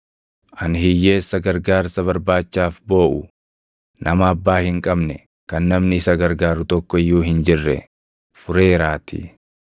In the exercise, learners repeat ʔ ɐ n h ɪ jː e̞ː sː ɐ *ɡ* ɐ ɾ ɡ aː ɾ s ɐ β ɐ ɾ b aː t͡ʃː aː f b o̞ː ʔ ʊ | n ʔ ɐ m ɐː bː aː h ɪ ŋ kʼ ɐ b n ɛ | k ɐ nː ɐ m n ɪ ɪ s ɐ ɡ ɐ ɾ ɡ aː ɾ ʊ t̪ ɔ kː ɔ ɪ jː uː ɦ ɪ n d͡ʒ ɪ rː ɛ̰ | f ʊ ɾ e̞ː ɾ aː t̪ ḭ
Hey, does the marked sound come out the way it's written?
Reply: yes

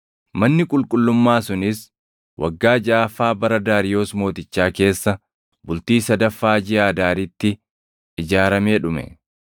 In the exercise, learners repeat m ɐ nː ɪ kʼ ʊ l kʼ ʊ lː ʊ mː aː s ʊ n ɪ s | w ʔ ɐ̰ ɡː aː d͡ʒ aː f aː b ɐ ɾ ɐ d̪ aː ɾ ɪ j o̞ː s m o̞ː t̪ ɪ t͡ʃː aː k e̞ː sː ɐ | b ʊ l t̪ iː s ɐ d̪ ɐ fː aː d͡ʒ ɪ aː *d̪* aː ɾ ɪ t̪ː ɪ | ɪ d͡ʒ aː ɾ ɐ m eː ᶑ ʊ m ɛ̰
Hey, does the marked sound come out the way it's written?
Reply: yes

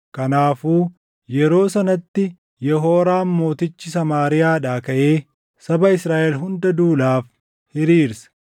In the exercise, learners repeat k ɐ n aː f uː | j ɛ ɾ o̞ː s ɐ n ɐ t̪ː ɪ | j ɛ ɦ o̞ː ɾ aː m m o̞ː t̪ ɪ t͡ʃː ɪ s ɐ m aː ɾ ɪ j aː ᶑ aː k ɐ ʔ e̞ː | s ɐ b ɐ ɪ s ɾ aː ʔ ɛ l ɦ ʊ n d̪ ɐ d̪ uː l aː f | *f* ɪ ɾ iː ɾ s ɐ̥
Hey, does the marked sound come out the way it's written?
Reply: no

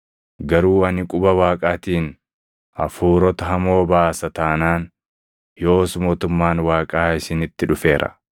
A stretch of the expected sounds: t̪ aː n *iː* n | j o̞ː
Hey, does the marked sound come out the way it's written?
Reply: no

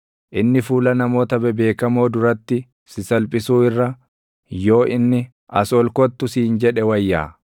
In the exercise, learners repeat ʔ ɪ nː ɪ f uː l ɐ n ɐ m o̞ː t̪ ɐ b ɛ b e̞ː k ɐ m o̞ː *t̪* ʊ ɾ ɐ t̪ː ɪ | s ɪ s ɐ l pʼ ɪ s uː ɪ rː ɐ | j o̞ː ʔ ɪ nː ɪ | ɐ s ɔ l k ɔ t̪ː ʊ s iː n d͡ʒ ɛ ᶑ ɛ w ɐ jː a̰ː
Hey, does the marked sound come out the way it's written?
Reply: no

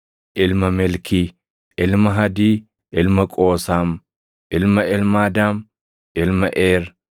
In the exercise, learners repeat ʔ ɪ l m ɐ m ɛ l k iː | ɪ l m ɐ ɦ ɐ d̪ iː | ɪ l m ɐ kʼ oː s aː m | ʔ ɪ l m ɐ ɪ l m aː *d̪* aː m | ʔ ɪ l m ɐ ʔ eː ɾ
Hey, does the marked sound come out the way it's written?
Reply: yes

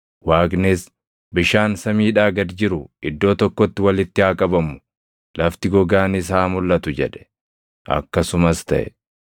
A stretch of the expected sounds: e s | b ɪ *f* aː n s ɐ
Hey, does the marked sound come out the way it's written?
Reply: no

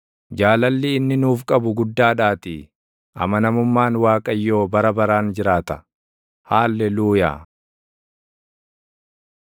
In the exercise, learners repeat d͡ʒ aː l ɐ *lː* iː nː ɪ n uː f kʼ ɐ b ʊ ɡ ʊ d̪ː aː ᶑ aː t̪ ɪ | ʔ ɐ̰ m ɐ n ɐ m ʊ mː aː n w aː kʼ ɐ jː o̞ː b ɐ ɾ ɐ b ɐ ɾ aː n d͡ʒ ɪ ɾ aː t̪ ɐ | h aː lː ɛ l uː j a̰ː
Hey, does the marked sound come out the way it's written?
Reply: yes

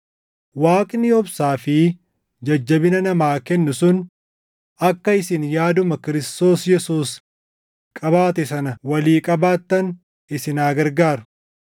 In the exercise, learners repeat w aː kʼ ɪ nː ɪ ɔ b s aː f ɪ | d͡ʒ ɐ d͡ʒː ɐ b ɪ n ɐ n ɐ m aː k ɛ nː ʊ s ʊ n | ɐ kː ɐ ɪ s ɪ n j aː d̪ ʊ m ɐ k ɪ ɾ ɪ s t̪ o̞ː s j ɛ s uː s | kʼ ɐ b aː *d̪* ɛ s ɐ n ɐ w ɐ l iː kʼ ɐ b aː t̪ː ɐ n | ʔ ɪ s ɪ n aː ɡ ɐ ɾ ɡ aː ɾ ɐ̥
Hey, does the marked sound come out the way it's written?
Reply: no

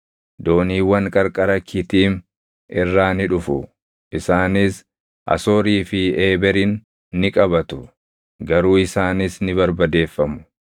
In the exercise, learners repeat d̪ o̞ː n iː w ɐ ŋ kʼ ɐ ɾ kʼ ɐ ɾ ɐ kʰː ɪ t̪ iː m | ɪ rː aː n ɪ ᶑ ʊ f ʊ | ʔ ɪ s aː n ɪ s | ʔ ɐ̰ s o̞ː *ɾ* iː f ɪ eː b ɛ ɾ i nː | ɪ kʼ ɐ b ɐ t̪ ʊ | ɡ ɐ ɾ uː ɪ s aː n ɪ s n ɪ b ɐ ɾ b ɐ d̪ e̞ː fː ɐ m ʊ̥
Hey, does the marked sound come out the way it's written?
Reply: yes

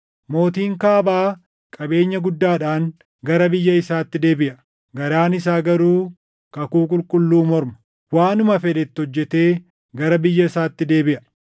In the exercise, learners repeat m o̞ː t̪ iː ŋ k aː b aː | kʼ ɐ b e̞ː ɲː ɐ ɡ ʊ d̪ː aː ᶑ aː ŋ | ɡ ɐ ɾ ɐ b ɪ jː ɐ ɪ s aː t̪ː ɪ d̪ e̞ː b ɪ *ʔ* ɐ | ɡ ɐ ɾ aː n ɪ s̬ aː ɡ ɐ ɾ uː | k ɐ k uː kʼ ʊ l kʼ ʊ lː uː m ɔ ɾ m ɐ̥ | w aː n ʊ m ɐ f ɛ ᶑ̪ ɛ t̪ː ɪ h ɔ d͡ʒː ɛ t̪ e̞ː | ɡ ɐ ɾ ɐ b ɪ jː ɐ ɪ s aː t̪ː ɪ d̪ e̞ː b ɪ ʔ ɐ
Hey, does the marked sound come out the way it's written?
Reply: yes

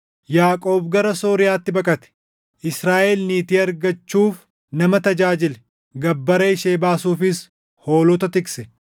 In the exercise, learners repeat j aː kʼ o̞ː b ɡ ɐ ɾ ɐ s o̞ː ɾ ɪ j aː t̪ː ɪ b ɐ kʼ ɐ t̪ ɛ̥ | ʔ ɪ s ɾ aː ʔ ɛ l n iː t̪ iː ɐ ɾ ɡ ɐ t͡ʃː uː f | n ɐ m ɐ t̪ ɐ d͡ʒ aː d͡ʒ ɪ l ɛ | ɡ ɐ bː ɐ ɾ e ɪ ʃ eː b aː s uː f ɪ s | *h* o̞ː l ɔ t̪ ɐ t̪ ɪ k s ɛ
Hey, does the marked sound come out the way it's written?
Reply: yes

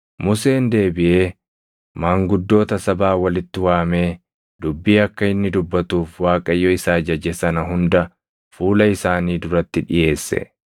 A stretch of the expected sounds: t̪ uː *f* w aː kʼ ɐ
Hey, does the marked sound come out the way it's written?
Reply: yes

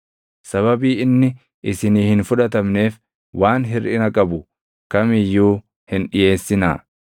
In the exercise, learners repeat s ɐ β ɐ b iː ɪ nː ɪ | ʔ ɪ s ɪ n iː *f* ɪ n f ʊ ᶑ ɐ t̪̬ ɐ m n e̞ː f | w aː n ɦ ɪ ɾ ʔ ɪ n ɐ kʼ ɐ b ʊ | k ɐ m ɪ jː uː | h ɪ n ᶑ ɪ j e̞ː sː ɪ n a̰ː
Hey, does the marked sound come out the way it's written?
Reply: no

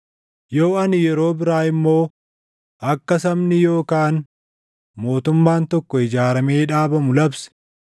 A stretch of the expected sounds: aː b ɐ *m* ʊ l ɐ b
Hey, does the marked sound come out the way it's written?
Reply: yes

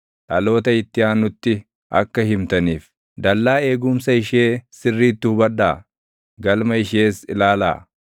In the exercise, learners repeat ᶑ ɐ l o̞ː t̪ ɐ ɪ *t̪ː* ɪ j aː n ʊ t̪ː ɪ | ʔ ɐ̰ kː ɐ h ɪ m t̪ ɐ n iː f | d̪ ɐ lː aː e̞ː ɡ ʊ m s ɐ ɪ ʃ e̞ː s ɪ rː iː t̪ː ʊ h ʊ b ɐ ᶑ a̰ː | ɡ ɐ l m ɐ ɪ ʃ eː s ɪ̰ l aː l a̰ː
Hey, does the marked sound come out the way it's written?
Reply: yes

